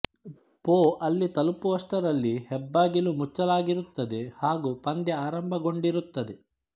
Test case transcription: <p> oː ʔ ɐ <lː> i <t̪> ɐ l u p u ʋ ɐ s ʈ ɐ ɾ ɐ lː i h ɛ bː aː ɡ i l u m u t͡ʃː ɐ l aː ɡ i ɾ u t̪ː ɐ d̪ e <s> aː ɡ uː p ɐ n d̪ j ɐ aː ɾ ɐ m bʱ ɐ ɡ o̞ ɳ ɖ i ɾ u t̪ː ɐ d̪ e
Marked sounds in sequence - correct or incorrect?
correct, correct, correct, incorrect: h

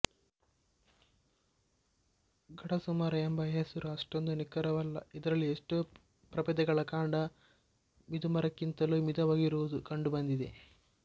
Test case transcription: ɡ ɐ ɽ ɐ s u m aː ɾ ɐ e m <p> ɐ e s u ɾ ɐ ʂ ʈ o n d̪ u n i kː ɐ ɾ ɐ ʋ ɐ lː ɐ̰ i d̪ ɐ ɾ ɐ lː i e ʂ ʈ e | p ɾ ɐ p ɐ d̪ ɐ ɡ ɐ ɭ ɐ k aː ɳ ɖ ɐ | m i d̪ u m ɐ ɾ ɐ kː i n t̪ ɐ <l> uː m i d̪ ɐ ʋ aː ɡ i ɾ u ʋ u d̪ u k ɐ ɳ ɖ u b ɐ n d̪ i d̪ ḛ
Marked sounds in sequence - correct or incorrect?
incorrect: b, correct

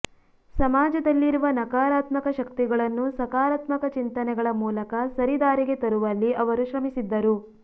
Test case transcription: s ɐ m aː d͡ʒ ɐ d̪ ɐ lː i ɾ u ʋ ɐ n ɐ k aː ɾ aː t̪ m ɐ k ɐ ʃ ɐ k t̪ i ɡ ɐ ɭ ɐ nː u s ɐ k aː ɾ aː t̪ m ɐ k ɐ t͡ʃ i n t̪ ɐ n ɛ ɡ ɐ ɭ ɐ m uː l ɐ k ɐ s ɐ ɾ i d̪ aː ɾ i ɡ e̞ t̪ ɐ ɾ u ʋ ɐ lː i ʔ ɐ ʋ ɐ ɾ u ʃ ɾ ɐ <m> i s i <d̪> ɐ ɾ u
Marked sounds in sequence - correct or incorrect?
correct, incorrect: d̪ː

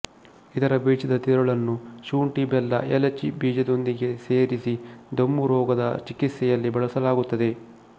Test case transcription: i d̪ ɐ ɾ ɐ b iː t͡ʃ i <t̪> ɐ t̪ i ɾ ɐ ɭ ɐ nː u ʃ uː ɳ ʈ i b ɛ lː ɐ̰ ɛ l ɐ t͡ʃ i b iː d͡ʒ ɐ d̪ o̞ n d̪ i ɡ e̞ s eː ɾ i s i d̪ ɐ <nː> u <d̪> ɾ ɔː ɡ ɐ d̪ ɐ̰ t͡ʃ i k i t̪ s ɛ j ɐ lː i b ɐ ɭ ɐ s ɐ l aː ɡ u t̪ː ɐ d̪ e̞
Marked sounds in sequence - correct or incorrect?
incorrect: d̪, incorrect: mː, incorrect: none

